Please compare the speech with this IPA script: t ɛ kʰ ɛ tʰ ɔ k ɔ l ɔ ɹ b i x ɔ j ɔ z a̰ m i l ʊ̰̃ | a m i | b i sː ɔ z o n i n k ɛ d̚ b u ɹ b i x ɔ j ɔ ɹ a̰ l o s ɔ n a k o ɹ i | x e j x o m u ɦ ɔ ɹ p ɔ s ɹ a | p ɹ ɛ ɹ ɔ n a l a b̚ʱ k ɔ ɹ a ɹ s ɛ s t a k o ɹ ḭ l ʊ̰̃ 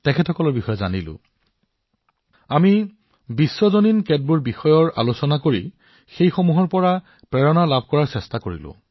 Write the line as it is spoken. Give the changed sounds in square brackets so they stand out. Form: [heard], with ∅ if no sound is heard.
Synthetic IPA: t ɛ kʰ ɛ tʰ ɔ k ɔ l ɔ ɹ b i x ɔ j ɔ z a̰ [n] i l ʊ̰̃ | a m i | b i sː ɔ z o n i n k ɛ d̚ b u ɹ b i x ɔ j ɔ ɹ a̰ l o s ɔ n a k o ɹ i | x e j x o m u ɦ ɔ ɹ p ɔ [∅] ɹ a | p ɹ ɛ ɹ ɔ n a l a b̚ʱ k ɔ ɹ a ɹ s ɛ s t a k o ɹ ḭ l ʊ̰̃